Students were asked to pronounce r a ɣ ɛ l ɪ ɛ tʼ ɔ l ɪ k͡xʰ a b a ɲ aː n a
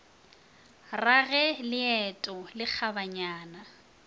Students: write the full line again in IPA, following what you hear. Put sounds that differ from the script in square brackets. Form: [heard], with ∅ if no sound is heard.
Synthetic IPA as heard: r a ɣ ɛ l ɪ ɛ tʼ ɔ l ɪ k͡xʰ a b a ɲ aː n a